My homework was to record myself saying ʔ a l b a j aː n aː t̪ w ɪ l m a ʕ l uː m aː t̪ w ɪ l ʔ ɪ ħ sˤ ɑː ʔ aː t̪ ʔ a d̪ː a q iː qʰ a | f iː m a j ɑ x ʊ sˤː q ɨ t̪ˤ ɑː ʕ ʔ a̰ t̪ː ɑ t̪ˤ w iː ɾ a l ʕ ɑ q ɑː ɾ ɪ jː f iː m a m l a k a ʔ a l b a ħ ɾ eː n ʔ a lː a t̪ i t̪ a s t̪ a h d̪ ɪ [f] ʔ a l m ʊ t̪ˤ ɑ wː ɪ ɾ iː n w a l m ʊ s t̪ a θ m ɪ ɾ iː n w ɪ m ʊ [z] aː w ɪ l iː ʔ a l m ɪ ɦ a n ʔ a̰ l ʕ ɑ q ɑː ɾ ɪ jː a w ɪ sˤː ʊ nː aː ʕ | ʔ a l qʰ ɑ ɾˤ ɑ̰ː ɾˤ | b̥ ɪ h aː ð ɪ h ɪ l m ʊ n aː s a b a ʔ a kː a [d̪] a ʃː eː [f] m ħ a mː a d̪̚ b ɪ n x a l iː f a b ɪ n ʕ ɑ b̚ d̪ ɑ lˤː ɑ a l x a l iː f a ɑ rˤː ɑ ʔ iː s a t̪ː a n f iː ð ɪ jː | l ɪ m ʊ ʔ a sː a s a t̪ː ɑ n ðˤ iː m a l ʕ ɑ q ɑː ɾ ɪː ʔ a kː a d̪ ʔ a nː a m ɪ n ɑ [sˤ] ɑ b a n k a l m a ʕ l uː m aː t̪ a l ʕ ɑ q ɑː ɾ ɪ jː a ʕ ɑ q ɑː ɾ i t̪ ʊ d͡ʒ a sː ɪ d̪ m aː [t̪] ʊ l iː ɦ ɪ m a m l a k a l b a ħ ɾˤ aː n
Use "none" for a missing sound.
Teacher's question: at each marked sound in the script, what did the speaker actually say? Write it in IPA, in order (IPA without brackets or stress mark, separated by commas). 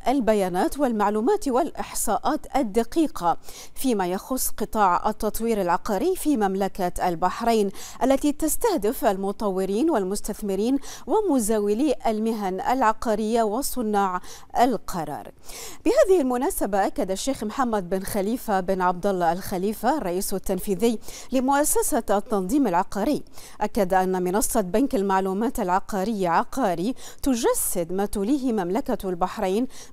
f, z, d̪, x, sˤː, t̪